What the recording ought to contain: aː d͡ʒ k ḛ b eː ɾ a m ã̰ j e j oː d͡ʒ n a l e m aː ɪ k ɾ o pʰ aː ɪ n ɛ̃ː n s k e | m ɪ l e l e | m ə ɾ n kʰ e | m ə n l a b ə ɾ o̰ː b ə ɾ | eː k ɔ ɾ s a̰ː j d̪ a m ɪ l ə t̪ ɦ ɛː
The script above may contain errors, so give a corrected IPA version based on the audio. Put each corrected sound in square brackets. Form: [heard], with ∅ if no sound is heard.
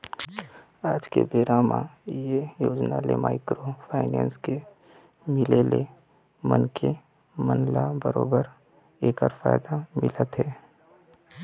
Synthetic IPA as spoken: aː d͡ʒ k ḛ b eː ɾ a m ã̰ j e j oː d͡ʒ n a l e m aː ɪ k ɾ o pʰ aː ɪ n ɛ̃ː n s k e | m ɪ l e l e | m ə [∅] n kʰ e | m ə n l a b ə ɾ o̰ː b ə ɾ | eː k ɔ ɾ [f] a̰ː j d̪ a m ɪ l ə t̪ ɦ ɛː